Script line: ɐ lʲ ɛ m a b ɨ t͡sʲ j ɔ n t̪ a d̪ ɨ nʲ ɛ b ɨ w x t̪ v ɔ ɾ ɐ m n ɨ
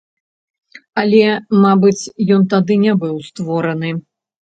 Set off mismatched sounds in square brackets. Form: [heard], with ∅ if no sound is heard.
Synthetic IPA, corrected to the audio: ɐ lʲ ɛ m a b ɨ t͡sʲ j ɔ n t̪ a d̪ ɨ nʲ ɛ b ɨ w [s] t̪ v ɔ ɾ ɐ [∅] n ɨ